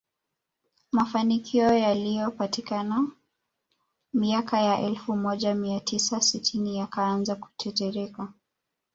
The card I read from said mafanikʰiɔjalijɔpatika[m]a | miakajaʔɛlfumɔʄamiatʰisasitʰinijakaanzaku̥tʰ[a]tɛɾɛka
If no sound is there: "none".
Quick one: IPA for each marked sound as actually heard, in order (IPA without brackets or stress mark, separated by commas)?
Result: n, ɛ